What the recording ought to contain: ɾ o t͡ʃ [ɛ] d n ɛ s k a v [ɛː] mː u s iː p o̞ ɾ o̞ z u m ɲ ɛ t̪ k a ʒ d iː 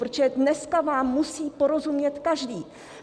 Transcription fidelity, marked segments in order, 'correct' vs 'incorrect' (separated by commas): correct, incorrect